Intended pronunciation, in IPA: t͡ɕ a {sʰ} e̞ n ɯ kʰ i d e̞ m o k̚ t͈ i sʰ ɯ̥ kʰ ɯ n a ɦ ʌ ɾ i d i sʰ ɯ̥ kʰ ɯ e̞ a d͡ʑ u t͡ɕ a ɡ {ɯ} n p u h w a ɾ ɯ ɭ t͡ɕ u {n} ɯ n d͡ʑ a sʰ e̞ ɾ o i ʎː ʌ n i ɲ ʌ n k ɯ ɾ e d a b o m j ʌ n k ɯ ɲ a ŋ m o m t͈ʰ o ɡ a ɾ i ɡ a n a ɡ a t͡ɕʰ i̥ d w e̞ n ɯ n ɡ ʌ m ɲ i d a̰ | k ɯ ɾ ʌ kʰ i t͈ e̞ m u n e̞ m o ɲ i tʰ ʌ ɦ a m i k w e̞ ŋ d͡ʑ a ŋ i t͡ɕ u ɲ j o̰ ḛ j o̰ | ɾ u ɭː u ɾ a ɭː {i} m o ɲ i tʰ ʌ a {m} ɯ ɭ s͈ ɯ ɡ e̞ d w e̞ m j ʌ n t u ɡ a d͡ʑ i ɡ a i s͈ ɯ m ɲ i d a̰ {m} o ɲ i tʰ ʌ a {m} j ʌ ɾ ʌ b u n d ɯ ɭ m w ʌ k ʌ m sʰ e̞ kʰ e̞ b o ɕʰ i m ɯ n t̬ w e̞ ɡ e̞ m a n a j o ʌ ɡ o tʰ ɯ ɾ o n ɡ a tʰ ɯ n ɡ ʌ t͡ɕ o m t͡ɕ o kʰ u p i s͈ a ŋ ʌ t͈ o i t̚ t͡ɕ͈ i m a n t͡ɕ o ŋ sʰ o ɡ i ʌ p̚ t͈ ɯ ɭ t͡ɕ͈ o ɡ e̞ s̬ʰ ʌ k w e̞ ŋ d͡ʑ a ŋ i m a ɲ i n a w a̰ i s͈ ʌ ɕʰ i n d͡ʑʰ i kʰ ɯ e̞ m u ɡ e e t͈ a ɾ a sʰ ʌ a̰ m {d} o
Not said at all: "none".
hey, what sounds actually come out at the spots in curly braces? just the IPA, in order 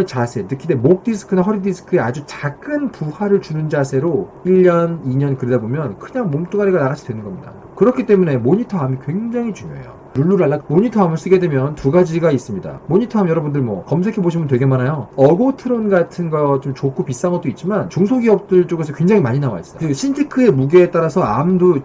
sʰ, ɯ, n, a, m, m, m, d

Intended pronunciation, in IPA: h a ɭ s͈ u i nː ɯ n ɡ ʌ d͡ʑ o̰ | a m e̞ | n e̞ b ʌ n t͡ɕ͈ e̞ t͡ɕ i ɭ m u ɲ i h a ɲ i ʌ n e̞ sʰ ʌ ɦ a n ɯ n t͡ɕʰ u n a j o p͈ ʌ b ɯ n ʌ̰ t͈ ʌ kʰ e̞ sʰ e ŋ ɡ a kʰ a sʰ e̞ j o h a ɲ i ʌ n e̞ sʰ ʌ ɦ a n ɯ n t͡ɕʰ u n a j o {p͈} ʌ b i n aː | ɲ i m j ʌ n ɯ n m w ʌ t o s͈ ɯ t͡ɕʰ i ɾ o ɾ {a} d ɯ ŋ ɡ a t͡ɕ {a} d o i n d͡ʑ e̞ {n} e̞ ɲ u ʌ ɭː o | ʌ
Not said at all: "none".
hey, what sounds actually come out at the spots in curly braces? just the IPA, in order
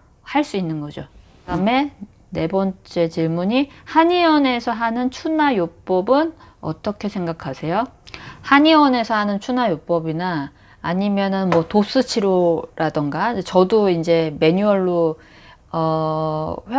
p͈, a, ʌ, m

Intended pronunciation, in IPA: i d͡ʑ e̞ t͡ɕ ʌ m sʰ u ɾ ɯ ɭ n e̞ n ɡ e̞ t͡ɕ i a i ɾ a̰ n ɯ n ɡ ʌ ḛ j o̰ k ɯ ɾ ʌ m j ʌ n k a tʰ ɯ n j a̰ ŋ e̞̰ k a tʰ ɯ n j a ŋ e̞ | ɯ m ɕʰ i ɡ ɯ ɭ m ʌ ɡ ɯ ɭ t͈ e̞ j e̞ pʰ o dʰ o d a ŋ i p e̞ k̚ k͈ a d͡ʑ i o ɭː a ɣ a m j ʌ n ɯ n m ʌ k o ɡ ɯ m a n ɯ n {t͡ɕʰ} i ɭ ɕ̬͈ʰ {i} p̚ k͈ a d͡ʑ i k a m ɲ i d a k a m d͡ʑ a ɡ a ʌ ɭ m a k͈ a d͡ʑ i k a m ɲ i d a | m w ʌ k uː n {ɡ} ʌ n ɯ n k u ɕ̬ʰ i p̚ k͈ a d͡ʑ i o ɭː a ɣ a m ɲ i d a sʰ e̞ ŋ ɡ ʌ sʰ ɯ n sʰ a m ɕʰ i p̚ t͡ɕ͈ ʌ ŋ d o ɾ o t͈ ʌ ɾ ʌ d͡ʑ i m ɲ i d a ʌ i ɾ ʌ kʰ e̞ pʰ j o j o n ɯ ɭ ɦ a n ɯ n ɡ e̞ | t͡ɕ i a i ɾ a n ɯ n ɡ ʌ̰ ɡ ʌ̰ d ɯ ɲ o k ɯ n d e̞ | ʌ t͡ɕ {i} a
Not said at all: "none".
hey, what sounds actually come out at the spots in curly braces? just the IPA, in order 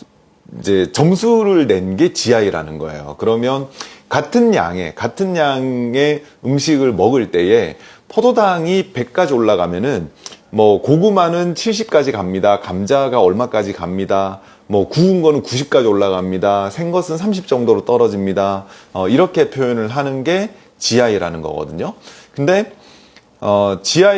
t͡ɕʰ, i, ɡ, i

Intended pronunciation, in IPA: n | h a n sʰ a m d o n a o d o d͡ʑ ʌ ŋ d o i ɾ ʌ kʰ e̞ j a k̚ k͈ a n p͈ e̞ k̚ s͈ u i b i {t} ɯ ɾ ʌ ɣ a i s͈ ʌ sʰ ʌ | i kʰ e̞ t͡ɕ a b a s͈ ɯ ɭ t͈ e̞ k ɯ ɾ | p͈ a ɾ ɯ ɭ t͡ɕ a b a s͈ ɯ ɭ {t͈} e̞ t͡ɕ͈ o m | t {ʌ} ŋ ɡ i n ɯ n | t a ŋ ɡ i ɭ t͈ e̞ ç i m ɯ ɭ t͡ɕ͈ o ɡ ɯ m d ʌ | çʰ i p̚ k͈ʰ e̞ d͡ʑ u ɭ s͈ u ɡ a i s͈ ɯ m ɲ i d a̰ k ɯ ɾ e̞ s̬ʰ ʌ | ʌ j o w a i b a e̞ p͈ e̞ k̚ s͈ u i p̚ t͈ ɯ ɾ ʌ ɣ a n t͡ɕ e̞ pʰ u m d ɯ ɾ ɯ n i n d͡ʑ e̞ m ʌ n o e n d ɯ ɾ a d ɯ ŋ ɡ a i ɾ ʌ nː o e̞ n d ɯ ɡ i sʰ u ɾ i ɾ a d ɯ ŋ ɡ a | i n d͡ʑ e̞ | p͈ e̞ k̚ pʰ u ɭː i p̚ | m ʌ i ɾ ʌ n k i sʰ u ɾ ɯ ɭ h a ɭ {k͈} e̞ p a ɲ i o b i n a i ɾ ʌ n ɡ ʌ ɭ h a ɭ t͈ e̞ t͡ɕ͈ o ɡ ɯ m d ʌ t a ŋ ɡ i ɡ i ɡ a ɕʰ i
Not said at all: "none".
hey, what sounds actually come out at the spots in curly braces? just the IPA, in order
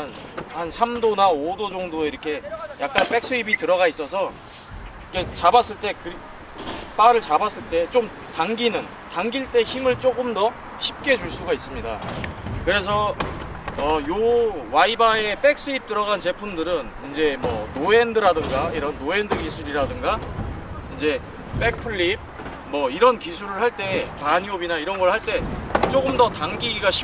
t, t͈, a, t͈

